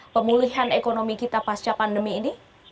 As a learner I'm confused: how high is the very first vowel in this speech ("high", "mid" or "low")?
mid